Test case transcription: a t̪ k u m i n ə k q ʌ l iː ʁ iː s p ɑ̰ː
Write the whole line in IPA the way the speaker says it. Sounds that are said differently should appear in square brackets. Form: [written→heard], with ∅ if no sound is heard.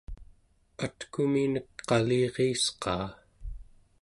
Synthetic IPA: a t̪ k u m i n ə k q [ʌ→ɑ] l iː ʁ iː s [p→q] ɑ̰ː